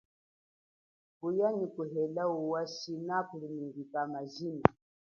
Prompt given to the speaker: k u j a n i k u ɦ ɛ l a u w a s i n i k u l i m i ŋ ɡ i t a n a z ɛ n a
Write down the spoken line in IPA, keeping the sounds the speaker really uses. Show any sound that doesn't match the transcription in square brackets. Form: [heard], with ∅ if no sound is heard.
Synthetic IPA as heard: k u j a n i k u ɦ ɛ l a u w a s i n [a] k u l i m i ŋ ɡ i [k] a [m] a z [i] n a